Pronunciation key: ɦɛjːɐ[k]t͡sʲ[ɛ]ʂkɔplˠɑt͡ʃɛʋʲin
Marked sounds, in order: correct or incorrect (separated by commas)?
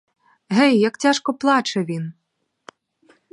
correct, incorrect